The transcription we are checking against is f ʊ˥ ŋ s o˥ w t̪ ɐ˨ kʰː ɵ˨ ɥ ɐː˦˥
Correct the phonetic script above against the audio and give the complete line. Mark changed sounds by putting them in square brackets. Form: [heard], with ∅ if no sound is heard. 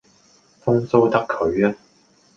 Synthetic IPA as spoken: f ʊ˥ ŋ s o˥ w t̪ [ɐ˥] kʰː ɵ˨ ɥ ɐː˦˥